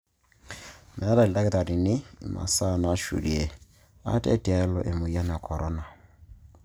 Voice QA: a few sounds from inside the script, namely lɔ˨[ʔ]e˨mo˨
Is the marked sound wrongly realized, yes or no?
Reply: no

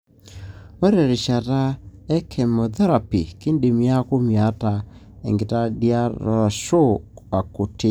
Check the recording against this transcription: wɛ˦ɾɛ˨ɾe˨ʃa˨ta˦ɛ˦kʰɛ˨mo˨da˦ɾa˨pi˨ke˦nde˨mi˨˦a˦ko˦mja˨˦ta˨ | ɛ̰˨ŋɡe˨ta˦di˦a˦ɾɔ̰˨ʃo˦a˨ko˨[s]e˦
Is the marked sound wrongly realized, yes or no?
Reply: yes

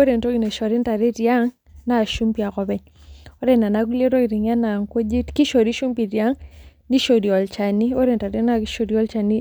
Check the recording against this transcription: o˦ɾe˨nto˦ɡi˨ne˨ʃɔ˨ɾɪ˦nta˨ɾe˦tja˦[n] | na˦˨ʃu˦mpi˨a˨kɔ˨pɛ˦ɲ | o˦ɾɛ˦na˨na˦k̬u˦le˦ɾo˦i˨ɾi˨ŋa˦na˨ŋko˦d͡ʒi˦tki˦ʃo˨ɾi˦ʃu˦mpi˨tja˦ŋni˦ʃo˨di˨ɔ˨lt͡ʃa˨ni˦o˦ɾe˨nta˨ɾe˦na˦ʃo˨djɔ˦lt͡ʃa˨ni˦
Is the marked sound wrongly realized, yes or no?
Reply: yes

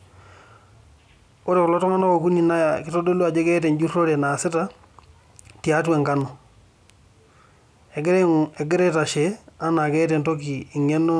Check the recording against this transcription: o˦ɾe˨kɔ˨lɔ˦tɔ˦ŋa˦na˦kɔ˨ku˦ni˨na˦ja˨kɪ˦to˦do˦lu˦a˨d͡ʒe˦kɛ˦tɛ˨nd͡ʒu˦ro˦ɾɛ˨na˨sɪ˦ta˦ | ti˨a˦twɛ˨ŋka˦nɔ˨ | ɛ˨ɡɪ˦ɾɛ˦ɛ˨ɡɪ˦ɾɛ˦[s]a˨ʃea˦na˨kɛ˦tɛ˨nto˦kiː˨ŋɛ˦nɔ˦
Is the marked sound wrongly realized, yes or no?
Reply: yes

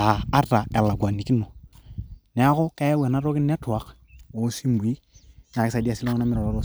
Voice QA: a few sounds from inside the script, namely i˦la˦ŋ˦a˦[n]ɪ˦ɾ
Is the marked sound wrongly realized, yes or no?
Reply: yes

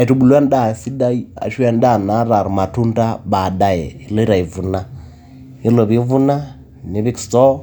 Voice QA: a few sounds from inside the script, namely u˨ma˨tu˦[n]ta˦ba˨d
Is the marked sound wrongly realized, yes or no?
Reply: no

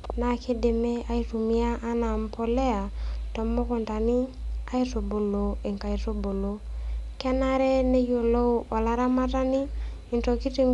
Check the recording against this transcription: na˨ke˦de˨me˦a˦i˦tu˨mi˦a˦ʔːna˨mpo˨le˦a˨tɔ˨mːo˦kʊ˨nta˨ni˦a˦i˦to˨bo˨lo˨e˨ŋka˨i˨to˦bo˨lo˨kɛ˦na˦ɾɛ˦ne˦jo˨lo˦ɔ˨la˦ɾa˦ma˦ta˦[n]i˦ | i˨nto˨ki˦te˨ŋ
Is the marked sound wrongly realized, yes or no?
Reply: no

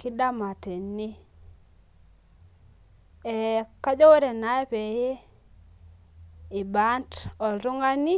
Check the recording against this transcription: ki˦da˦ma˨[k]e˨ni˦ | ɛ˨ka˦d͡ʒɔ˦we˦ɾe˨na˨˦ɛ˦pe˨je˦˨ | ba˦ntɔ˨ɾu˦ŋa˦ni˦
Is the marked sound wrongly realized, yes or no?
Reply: yes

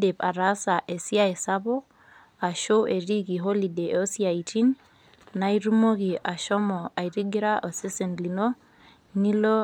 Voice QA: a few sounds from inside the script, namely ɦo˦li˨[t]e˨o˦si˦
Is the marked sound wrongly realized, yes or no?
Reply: yes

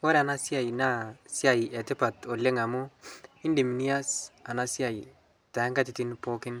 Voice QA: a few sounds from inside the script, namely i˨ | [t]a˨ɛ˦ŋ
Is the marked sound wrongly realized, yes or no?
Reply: no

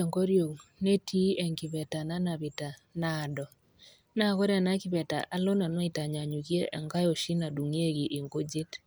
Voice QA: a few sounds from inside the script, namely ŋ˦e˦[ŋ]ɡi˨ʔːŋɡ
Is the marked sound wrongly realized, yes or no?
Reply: yes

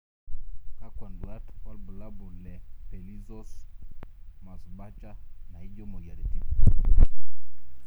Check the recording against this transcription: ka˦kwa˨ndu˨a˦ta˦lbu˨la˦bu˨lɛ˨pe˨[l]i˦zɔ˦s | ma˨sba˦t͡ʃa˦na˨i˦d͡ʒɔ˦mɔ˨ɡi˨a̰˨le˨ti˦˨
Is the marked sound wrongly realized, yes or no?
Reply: no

